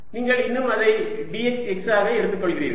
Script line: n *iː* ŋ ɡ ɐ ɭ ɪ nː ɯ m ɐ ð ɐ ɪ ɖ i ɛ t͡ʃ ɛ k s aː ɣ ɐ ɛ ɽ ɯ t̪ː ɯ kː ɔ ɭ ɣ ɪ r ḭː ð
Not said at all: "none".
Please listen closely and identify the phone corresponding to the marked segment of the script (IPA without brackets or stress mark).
iː